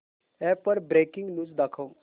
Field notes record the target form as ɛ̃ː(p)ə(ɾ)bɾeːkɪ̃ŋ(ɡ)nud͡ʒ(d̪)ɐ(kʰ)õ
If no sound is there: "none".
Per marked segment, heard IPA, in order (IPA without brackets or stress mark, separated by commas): p, ɾ, ɡ, d̪, kʰ